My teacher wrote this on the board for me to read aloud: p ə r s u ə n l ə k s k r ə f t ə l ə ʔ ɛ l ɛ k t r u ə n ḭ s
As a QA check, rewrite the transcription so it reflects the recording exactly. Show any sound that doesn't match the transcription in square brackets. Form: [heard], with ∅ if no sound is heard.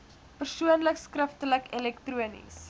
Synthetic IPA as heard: p ə r s u ə n l ə k s k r ə f t ə l ə [k] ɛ l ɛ k t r u ə n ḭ s